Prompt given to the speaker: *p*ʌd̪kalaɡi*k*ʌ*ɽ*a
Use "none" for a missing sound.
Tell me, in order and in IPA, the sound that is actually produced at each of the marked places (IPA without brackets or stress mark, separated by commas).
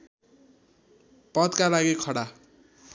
p, kʰ, ɽ